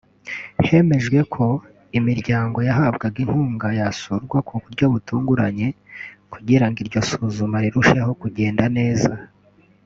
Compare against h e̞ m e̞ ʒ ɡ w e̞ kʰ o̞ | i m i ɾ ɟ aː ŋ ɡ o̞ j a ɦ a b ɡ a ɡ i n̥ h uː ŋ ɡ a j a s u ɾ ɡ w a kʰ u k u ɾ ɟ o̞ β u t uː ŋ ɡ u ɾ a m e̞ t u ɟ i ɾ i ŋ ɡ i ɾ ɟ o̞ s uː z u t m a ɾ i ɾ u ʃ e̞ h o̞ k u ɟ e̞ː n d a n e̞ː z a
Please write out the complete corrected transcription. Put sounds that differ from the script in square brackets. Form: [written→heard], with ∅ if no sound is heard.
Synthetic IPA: h e̞ m e̞ ʒ ɡ w e̞ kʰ o̞ | i m i ɾ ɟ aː ŋ ɡ o̞ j a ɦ a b ɡ a ɡ i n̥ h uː ŋ ɡ a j a s u ɾ ɡ w a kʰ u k u ɾ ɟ o̞ β u t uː ŋ ɡ u ɾ a [m→ɲ] e̞ [t→k] u ɟ i ɾ [i→a] ŋ ɡ i ɾ ɟ o̞ s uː z u [t→∅] m a ɾ i ɾ u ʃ e̞ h o̞ k u ɟ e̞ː n d a n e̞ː z a